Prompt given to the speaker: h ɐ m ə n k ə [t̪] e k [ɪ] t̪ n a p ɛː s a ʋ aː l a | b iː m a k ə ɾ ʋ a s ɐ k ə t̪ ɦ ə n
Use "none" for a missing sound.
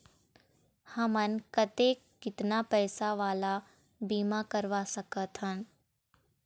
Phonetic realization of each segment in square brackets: t̪, ɪ

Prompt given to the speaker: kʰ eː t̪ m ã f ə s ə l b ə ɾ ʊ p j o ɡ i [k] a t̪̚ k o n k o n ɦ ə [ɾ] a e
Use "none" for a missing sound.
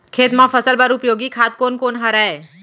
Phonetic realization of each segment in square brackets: kʰ, ɾ

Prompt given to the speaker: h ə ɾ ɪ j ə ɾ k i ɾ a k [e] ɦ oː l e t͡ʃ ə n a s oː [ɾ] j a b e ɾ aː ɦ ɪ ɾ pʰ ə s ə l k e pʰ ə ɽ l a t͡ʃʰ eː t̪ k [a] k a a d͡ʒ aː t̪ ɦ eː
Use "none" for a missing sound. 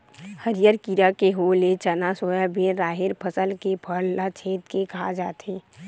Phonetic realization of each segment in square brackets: e, none, e

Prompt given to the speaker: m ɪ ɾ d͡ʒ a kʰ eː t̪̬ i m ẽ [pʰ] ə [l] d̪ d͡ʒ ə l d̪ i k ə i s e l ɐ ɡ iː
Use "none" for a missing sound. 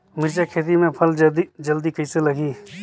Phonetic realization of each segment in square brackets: pʰ, l

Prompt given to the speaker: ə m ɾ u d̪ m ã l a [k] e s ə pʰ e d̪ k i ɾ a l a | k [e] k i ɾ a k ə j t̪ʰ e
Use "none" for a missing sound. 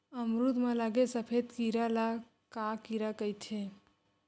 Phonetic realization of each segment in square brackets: ɡ, a

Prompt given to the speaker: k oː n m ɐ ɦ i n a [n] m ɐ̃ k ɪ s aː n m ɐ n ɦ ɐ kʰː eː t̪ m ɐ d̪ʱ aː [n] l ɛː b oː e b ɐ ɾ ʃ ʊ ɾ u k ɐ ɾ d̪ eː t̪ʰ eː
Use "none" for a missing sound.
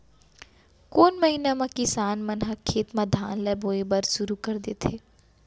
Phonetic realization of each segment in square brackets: none, n

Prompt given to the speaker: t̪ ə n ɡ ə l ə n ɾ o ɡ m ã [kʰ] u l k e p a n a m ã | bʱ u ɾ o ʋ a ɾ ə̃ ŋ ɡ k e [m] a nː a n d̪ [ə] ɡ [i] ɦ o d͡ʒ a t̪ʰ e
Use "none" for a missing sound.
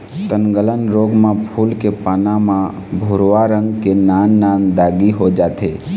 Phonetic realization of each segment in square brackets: pʰ, n, a, i

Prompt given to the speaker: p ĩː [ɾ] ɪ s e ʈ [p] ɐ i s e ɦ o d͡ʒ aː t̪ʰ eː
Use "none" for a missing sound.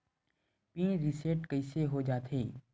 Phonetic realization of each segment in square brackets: ɾ, k

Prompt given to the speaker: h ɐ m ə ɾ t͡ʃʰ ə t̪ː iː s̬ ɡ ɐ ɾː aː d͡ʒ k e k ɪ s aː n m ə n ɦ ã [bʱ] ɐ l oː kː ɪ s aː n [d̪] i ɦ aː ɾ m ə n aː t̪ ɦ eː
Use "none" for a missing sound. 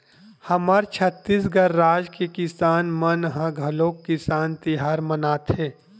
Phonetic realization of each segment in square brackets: ɡʱ, t̪

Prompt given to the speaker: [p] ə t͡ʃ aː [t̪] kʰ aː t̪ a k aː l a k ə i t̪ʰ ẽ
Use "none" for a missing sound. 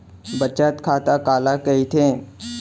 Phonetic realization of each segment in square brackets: b, t̪

